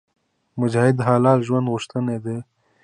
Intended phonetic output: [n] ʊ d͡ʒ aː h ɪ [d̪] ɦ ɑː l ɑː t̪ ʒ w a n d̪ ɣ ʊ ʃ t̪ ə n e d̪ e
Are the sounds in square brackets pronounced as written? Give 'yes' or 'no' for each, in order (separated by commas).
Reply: no, yes